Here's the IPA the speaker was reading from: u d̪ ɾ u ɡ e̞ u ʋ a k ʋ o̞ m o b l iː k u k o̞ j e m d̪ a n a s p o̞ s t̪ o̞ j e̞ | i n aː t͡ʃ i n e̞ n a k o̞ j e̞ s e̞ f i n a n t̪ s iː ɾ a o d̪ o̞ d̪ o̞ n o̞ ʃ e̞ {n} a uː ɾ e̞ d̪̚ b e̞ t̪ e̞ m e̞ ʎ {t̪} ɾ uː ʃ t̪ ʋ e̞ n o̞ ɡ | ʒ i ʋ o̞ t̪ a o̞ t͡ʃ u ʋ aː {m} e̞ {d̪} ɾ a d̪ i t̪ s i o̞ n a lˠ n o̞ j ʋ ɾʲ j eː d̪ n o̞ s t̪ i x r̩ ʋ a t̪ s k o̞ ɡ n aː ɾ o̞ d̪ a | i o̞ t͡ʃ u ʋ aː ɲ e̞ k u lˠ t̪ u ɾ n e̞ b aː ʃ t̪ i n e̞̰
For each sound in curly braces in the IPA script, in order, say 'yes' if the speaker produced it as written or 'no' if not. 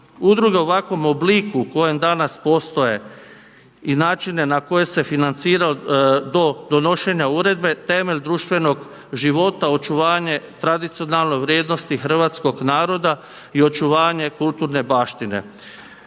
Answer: no, no, no, no

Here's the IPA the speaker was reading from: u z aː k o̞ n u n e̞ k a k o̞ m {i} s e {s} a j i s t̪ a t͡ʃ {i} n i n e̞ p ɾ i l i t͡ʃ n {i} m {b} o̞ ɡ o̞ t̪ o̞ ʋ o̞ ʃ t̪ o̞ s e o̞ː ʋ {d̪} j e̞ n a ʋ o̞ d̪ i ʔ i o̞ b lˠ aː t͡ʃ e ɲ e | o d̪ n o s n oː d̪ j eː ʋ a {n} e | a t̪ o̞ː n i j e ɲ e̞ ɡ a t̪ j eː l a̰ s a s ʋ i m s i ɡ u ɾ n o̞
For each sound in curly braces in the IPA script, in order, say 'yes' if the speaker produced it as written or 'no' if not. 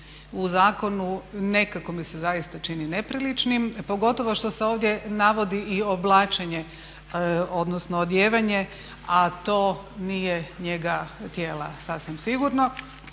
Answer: yes, no, yes, yes, no, yes, no

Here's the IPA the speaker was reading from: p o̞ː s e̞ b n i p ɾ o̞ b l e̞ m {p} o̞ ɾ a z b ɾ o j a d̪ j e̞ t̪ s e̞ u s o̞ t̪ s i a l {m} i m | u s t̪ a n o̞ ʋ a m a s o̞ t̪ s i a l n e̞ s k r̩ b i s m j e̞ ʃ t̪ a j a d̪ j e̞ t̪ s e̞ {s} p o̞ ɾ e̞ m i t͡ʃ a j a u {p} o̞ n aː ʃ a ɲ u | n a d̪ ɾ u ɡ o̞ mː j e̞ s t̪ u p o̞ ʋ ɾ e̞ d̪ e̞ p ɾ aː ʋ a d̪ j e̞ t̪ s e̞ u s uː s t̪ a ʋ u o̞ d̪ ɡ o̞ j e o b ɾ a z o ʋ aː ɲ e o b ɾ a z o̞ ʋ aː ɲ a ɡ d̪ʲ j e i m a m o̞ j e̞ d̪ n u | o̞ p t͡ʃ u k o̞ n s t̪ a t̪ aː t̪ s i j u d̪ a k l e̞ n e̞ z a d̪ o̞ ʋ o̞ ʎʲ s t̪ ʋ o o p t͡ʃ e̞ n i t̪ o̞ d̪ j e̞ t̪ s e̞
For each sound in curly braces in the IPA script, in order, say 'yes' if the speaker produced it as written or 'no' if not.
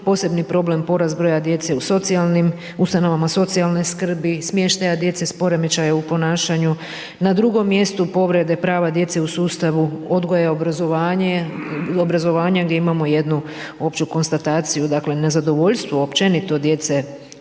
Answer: yes, no, yes, yes

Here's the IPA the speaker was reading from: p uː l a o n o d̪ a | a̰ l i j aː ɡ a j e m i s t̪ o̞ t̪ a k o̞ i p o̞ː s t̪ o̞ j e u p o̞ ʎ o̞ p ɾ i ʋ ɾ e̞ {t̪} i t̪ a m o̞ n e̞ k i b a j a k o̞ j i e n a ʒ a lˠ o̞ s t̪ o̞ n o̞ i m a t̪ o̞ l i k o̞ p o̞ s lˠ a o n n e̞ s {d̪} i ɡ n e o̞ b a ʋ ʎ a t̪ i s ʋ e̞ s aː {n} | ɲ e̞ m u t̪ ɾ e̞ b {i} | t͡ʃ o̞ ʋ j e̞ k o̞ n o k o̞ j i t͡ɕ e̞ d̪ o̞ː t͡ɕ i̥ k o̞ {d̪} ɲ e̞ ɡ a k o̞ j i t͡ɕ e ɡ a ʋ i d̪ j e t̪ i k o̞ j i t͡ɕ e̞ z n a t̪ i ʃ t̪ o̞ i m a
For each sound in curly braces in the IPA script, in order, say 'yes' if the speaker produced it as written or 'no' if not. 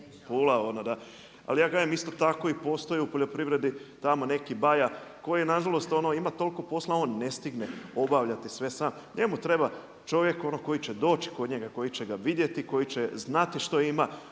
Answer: no, no, no, no, yes

